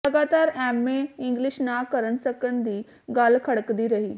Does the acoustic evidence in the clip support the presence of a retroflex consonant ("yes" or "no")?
yes